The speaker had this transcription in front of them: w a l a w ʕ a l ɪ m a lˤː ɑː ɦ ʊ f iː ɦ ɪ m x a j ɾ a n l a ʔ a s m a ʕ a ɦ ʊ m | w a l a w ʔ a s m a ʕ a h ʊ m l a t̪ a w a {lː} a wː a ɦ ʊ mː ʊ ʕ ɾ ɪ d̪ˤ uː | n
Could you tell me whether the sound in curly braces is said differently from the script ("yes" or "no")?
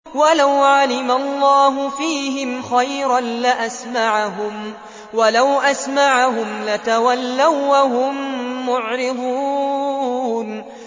no